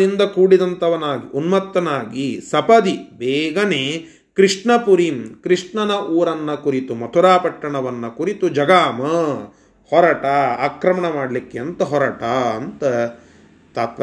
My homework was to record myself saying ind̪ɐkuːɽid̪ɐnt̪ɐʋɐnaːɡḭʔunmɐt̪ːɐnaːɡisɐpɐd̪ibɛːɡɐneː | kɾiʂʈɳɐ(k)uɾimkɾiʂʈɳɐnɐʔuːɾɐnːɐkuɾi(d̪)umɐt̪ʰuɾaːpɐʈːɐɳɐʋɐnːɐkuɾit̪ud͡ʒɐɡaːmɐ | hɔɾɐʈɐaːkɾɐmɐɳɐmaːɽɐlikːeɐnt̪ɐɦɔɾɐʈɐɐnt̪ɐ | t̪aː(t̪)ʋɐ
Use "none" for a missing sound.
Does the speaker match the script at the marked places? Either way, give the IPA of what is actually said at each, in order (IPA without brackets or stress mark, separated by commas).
p, t̪, t̪